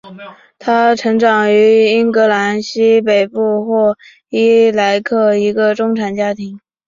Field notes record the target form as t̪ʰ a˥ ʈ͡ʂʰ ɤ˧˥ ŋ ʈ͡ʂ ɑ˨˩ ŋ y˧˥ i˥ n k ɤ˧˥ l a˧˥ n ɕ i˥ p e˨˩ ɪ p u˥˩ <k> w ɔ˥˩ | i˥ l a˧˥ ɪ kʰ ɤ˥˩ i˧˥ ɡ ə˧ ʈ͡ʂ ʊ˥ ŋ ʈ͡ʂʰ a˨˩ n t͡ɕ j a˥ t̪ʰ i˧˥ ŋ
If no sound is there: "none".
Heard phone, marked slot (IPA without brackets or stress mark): x